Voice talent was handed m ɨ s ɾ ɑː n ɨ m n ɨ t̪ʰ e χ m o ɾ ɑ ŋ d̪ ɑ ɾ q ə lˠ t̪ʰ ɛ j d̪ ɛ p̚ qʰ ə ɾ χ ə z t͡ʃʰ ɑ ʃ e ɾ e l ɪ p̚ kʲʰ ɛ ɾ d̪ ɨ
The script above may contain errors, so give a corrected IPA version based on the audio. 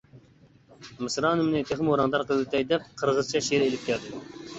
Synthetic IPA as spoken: m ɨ s ɾ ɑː n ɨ m n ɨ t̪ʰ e χ m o ɾ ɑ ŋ d̪ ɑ ɾ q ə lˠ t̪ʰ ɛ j d̪ ɛ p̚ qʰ ə ɾ ʁ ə z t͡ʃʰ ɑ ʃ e ɾ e l ɪ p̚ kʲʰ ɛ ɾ d̪ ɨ